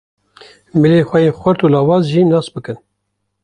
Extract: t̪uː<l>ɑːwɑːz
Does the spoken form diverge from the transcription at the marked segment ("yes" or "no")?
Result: no